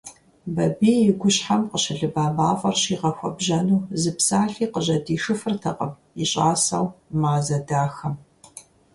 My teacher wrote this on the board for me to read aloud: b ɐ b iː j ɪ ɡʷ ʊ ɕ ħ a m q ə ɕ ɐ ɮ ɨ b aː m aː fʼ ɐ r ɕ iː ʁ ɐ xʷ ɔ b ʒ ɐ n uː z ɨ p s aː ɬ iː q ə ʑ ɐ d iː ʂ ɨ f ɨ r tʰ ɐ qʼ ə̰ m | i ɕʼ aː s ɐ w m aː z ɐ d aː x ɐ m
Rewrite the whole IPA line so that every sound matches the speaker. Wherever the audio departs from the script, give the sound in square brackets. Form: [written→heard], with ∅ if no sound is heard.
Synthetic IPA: b ɐ b iː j ɪ ɡʷ ʊ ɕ ħ a m q ə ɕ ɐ ɮ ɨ b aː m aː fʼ ɐ r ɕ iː ʁ ɐ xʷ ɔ b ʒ ɐ n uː z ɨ p s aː ɬ iː q ə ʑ ɐ d iː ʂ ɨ f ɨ r tʰ ɐ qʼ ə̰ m | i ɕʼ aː s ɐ w m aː z ɐ d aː x ɐ m

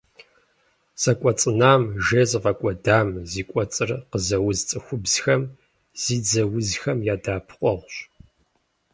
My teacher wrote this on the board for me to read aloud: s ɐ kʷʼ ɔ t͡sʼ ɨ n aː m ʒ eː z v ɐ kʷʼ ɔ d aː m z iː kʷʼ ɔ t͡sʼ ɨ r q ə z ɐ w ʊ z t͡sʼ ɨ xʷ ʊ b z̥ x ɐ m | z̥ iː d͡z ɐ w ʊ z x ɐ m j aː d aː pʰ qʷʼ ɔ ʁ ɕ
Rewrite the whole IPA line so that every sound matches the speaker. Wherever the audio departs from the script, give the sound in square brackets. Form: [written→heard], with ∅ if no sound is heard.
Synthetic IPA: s ɐ kʷʼ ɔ t͡sʼ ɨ n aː m ʒ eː z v ɐ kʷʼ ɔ d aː m z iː kʷʼ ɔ t͡sʼ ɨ r q ə z ɐ w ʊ z t͡sʼ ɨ xʷ ʊ b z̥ x ɐ m | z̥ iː d͡z ɐ w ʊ z x ɐ m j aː d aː pʰ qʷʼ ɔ ʁ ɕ

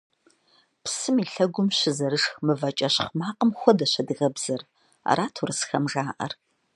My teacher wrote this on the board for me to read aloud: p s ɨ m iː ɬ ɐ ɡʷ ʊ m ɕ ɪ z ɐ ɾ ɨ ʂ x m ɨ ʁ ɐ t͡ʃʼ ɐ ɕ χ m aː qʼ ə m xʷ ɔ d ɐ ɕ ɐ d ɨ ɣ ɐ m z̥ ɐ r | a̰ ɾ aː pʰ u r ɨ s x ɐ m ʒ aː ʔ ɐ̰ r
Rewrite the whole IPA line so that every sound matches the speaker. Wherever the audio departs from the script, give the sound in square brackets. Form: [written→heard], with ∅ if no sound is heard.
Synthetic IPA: p s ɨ m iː ɬ ɐ ɡʷ ʊ m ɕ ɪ z ɐ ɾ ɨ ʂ x m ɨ [ʁ→v] ɐ t͡ʃʼ ɐ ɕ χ m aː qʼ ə m xʷ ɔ d ɐ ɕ ɐ d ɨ ɣ ɐ [m→b] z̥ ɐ r | a̰ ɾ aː [pʰ→tʰ] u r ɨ s x ɐ m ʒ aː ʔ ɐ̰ r

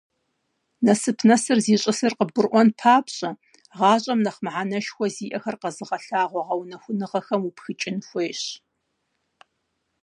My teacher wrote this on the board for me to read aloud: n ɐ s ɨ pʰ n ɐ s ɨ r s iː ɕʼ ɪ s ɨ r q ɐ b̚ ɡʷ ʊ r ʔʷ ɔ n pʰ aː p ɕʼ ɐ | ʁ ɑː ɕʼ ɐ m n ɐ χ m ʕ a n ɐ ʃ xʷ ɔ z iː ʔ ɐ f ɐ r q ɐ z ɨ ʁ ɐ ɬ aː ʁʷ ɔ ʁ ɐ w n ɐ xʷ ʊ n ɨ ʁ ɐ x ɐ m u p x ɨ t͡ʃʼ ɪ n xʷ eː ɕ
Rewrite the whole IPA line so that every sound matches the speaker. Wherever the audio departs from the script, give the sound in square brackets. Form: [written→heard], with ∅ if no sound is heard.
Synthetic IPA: n ɐ s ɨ pʰ n ɐ s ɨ r [s→z] iː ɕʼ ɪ s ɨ r q [ɐ→ə] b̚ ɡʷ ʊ r ʔʷ ɔ n pʰ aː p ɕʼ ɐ | ʁ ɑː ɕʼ ɐ m n ɐ χ m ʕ a n ɐ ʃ xʷ ɔ z iː ʔ ɐ [f→x] ɐ r q ɐ z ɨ ʁ ɐ ɬ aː ʁʷ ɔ ʁ ɐ w n ɐ xʷ ʊ n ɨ ʁ ɐ x ɐ m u p x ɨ t͡ʃʼ ɪ n xʷ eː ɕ

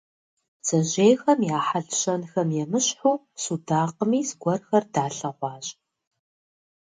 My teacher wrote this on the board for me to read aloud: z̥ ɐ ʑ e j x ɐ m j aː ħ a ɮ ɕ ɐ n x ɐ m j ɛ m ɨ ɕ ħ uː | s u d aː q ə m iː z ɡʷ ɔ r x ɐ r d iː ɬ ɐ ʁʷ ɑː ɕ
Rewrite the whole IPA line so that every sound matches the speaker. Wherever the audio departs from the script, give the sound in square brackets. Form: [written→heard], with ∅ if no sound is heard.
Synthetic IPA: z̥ ɐ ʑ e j x ɐ m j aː ħ a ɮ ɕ ɐ n x ɐ m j ɛ m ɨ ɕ ħ uː | s u d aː q ə m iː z ɡʷ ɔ r x ɐ r d [iː→aː] ɬ ɐ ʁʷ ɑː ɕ

